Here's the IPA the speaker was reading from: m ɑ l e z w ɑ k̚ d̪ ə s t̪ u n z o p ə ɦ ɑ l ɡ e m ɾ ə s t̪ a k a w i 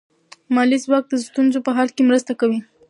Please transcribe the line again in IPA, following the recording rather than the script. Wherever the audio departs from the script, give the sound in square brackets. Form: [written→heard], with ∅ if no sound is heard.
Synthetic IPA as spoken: m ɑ l [e→i] z w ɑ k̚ d̪ ə s t̪ u n z o p ə ɦ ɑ l [ɡ→k] e m ɾ ə s t̪ a k a w i